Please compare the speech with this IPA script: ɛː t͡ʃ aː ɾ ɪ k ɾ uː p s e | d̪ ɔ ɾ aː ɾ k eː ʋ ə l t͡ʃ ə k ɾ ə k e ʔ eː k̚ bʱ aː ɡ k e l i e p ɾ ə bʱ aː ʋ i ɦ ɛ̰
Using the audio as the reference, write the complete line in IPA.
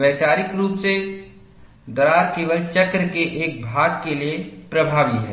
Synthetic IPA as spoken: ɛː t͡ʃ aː ɾ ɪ k ɾ uː p s e | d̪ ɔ ɾ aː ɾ k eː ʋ ə l t͡ʃ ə k ɾ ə k e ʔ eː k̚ bʱ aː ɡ k e l i e p ɾ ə bʱ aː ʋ i ɦ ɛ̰